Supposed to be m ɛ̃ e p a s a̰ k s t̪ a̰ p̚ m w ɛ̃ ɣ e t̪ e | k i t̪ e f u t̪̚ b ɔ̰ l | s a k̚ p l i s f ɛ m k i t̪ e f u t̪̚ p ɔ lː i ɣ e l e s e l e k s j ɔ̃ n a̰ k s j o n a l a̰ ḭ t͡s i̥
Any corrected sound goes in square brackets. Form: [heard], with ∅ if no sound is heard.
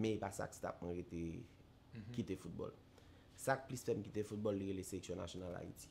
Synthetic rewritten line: m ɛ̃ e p a s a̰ k s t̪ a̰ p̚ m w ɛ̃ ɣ e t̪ e | k i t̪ e f u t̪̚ b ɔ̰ l | s a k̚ p l i s f ɛ m k i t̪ e f u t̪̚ [b] ɔ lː i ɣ e l e s e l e k s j ɔ̃ n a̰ [∅] s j o n a l a̰ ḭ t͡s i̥

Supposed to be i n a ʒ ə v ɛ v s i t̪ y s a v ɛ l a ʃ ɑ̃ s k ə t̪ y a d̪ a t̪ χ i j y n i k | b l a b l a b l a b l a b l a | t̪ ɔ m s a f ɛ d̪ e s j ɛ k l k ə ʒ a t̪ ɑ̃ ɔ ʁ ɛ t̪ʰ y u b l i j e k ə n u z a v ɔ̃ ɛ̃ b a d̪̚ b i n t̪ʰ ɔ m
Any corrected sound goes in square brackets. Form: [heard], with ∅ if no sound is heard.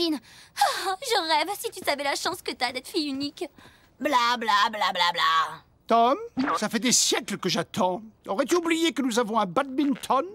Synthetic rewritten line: i n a ʒ ə [ʁ] ɛ v s i t̪ y s a v ɛ l a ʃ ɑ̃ s k ə t̪ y a d̪ [ɛ] t̪ [f] i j y n i k | b l a b l a b l a b l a b l a | t̪ ɔ m s a f ɛ d̪ e s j ɛ k l k ə ʒ a t̪ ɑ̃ ɔ ʁ ɛ [t̪] y u b l i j e k ə n u z a v ɔ̃ ɛ̃ b a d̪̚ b i n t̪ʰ ɔ [n]

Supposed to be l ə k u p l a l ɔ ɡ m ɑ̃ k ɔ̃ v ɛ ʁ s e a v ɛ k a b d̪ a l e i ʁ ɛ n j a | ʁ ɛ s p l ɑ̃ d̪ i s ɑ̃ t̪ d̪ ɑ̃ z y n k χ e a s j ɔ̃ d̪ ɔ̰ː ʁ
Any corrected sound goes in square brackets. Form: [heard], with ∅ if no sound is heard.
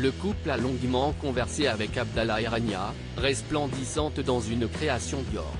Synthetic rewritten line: l ə k u p l a l [ɔ̃] ɡ m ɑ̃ k ɔ̃ v ɛ ʁ s e a v ɛ k a b d̪ a l [a] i ʁ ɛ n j a | ʁ ɛ s p l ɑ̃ d̪ i s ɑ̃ t̪ d̪ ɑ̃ z y n k χ e a s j ɔ̃ d̪ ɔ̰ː ʁ

